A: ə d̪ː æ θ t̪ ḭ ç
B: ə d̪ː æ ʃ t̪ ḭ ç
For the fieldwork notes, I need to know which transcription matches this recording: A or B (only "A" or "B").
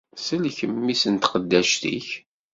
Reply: B